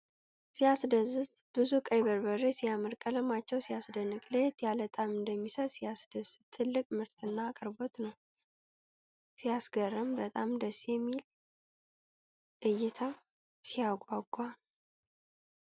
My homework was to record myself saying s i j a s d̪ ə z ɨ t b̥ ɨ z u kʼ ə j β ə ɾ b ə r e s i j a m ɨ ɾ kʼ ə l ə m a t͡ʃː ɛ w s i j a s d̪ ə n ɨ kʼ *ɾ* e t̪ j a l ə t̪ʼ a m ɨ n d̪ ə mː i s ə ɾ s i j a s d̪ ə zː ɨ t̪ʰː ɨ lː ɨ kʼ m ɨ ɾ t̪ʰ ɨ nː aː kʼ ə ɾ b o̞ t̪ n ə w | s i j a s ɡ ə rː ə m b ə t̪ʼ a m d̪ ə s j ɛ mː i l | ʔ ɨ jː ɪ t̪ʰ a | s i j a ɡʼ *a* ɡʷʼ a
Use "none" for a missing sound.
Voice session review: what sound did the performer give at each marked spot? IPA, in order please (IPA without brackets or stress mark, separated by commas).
l, a